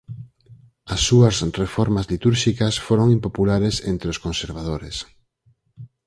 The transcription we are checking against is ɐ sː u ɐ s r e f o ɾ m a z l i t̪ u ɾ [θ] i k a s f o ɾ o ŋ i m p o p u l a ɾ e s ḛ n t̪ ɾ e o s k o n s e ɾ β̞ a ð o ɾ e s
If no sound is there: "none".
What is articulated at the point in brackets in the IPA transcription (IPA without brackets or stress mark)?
ʃ